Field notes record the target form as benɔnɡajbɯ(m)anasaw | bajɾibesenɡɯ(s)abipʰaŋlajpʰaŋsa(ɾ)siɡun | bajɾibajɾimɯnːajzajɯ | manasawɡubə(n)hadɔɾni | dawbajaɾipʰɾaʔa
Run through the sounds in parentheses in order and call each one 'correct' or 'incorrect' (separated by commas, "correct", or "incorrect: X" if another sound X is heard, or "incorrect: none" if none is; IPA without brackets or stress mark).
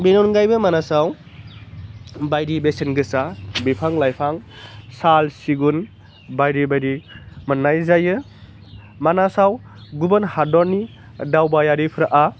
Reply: correct, correct, incorrect: l, correct